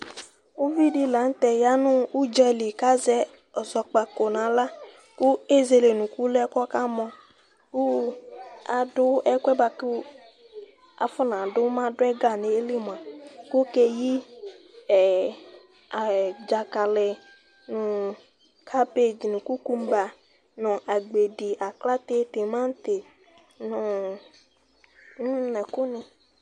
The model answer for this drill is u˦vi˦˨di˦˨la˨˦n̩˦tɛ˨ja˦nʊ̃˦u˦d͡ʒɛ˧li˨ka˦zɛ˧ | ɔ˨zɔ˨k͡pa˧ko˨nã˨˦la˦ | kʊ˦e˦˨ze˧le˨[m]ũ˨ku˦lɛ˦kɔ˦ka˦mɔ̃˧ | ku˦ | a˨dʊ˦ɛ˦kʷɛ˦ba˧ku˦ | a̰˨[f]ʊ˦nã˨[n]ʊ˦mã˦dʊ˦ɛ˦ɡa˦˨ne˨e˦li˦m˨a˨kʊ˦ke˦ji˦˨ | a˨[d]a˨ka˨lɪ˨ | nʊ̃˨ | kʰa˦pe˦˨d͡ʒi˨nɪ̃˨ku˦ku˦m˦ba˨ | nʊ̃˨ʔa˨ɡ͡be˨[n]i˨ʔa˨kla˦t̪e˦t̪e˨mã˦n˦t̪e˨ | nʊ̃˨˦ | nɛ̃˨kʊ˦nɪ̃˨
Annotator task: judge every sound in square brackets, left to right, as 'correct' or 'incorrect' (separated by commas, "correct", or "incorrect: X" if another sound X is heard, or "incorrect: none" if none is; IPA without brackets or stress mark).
incorrect: n, correct, incorrect: d, incorrect: d͡ʒ, incorrect: d